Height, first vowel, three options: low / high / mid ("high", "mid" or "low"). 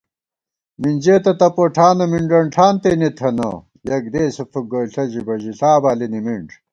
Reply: high